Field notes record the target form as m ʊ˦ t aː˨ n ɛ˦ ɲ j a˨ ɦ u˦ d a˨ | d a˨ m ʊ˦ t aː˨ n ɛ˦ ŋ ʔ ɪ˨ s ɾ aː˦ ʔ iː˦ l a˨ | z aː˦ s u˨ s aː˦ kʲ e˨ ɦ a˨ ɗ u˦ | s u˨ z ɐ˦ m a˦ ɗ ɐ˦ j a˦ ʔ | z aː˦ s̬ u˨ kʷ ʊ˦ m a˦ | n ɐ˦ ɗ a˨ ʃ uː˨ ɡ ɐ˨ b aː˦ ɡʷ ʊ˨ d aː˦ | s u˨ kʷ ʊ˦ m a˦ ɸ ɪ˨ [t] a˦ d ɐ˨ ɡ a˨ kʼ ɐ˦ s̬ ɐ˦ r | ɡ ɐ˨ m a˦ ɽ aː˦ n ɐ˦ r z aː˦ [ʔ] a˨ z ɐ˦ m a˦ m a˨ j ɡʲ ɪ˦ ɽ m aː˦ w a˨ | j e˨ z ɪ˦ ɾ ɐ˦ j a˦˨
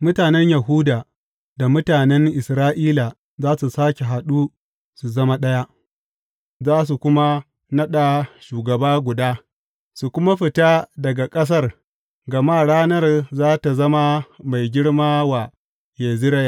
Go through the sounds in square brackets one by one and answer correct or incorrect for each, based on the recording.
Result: correct, incorrect: t

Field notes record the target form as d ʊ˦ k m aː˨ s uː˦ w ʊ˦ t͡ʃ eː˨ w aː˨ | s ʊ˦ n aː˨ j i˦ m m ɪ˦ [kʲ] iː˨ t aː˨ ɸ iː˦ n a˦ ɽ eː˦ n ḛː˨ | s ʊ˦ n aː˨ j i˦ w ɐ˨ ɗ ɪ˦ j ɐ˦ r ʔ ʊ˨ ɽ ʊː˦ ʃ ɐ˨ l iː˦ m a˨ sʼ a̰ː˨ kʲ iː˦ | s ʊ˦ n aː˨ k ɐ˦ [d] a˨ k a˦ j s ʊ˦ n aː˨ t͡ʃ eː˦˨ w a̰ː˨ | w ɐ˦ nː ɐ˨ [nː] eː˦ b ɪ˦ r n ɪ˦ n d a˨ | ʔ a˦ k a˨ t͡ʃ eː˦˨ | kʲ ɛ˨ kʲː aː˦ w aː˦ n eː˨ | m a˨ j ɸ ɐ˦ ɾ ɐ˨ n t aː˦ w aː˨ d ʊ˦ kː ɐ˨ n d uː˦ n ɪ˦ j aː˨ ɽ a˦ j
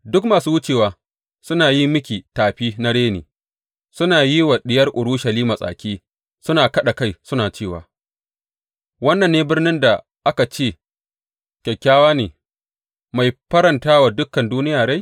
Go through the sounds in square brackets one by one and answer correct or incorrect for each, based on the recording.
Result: correct, incorrect: ɗ, correct

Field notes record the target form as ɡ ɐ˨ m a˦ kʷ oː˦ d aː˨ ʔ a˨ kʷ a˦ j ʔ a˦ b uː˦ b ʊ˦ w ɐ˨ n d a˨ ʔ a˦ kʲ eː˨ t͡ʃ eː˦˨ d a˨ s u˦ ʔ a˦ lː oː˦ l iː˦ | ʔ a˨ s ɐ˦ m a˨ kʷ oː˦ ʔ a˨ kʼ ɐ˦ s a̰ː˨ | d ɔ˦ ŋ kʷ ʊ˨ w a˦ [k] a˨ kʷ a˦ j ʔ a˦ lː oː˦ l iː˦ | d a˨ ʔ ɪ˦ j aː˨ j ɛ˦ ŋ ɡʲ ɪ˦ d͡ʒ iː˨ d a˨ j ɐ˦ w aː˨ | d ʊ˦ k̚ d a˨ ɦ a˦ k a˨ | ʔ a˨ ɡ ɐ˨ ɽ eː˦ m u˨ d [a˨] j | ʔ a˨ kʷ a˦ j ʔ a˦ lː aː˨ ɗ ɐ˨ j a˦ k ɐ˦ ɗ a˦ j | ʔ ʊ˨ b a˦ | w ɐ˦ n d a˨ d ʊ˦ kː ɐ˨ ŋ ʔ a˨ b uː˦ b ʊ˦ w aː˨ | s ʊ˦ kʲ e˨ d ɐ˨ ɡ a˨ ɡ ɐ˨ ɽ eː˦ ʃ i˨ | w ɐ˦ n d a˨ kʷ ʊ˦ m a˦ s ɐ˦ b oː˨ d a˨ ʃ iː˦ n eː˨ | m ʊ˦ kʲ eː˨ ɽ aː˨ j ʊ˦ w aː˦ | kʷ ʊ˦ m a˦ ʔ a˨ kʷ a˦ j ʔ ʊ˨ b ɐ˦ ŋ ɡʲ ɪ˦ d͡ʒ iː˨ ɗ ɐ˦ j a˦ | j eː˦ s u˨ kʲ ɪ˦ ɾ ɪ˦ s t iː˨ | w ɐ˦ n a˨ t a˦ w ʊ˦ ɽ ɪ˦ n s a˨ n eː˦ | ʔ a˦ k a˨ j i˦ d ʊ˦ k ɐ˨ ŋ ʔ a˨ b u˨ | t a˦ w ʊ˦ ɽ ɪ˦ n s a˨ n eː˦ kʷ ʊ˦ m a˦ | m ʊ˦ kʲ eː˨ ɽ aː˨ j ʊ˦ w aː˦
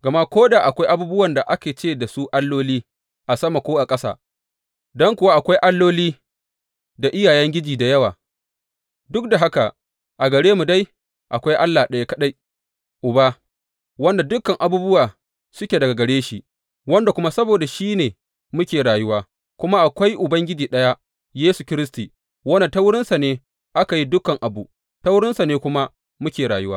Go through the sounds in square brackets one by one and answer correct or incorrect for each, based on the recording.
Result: incorrect: ʔ, incorrect: a˦

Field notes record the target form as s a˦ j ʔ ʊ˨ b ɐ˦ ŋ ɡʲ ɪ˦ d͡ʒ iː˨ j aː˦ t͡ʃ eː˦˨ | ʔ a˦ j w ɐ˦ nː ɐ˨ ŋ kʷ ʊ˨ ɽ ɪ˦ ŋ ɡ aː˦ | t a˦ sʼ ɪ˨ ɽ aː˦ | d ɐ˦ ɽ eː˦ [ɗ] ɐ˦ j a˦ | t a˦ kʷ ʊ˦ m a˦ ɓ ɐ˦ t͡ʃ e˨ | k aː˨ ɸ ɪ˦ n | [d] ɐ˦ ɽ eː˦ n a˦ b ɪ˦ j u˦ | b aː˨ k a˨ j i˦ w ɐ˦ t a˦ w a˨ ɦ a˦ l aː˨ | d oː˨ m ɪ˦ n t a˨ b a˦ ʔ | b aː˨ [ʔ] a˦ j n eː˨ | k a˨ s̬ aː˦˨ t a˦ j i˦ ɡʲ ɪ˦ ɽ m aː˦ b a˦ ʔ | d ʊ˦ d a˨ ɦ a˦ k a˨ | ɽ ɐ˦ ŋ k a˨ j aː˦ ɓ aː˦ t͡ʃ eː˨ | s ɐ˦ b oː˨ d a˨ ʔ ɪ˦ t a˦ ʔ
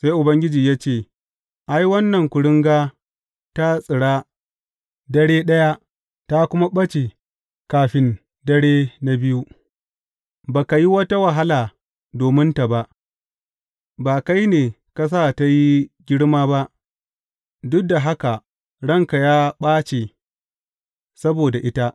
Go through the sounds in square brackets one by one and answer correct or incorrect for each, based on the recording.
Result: correct, correct, incorrect: k

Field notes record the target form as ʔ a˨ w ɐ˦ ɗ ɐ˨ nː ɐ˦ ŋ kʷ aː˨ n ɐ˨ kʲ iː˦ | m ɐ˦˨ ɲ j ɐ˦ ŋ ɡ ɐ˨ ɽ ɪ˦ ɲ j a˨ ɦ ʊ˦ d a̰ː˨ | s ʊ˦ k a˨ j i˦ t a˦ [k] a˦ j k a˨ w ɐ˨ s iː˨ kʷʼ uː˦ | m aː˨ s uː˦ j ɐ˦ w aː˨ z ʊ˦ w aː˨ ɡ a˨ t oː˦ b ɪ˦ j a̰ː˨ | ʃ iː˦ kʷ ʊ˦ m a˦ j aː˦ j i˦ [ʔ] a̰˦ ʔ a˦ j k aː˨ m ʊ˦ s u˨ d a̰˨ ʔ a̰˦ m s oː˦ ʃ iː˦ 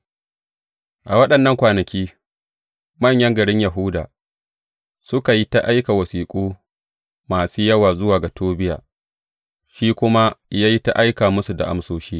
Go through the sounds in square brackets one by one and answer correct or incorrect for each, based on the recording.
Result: incorrect: ʔ, incorrect: t

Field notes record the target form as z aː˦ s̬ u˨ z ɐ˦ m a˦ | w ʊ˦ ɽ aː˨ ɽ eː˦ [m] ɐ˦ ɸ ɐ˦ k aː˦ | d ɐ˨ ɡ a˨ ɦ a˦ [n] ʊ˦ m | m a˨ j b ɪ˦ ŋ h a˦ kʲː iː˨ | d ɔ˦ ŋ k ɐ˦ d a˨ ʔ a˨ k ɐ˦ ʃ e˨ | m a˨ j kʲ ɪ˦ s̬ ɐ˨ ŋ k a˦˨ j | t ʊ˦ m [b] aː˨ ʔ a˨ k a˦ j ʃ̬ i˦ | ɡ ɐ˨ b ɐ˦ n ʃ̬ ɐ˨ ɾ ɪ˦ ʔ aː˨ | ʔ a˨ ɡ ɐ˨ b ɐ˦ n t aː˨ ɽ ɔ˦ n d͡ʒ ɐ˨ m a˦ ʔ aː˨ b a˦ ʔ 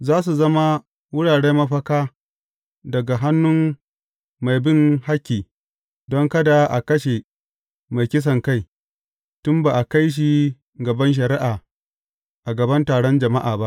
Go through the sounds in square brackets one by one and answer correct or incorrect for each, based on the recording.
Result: correct, incorrect: nː, correct

